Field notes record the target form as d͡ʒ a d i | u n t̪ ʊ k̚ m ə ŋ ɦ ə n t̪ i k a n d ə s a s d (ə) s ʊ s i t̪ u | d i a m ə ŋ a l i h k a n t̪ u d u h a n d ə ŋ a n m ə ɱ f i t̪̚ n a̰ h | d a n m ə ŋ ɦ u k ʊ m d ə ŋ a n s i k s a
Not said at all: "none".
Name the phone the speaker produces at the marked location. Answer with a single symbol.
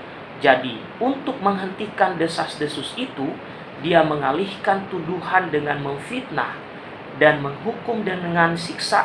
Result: ə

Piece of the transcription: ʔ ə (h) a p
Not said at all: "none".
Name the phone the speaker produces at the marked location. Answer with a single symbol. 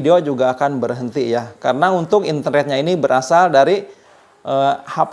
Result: h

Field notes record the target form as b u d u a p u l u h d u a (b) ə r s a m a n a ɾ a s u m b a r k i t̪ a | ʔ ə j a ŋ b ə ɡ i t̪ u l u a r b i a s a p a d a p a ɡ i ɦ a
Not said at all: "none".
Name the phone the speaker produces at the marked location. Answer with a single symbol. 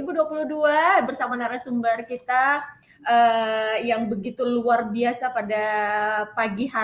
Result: b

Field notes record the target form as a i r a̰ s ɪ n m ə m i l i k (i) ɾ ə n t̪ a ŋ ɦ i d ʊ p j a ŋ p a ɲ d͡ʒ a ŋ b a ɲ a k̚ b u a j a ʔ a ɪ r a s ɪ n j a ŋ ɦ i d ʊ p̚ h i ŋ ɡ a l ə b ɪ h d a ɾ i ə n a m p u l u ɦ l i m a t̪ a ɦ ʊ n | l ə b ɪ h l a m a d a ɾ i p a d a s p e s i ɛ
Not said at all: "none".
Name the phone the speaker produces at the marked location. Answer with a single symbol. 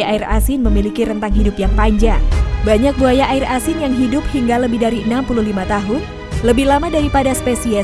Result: i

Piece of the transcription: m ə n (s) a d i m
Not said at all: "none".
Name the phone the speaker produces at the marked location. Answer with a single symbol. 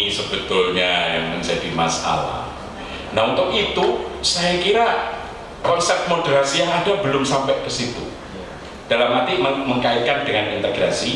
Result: s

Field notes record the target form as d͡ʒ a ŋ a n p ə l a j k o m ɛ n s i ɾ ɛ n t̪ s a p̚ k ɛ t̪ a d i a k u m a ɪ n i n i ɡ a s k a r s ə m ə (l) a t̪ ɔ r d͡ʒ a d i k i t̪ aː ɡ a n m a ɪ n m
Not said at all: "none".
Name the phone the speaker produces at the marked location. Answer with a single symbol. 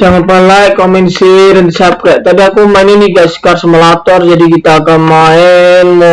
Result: l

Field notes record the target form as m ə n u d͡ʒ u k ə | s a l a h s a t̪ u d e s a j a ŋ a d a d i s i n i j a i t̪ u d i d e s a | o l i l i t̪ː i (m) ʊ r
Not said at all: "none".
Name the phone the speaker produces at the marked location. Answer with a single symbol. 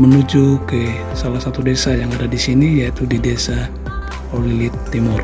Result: m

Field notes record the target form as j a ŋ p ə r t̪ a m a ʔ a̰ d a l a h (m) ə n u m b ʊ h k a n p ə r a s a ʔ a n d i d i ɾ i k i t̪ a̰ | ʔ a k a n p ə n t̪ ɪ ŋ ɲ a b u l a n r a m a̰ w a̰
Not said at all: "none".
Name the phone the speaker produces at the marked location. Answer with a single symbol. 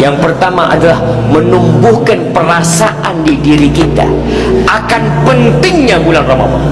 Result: m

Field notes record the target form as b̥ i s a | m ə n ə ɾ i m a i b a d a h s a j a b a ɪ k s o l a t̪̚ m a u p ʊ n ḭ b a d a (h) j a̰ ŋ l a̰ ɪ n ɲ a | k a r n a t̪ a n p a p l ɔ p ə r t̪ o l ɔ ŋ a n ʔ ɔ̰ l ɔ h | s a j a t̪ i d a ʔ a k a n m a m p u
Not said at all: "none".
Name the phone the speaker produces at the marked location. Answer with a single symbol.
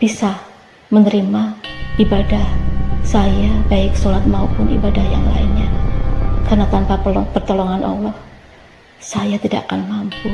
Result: h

